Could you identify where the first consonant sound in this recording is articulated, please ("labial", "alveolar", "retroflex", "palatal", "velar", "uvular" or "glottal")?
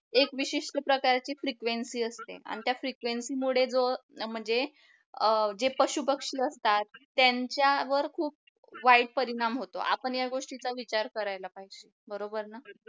velar